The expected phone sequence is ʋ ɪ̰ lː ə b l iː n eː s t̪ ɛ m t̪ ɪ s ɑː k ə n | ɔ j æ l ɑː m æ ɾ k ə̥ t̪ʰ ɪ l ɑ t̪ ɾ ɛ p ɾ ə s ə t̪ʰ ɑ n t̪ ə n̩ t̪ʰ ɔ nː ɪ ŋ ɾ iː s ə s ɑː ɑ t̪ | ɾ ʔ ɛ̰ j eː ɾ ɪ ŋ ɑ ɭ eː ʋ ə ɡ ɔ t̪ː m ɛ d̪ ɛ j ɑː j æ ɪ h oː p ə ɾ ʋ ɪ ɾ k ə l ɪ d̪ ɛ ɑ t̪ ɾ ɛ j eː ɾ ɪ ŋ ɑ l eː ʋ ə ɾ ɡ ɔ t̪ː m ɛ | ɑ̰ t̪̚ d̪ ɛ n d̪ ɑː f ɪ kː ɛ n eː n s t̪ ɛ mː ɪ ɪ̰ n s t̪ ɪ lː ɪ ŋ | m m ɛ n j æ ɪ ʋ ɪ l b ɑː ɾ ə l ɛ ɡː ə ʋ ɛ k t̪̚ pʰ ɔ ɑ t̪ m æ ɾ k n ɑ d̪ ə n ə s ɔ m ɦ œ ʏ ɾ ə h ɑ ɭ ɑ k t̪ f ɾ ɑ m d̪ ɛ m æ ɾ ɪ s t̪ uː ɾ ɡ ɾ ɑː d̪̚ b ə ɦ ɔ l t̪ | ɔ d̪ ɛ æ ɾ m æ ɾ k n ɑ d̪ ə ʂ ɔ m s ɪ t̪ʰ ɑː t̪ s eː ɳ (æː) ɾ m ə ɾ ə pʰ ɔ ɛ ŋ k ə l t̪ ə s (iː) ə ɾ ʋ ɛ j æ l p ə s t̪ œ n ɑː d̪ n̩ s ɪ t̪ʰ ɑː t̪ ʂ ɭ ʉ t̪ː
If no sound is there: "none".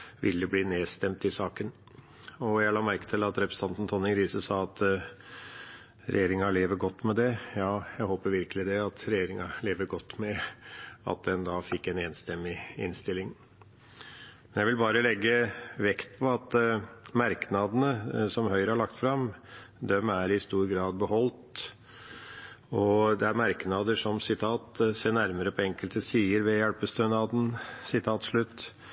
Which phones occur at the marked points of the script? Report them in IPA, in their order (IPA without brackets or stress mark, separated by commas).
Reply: æ, iː